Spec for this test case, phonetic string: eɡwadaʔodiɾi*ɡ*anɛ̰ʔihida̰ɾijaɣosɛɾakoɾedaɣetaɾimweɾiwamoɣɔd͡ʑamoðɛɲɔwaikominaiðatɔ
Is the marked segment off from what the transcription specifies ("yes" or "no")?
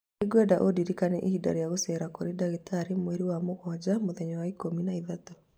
yes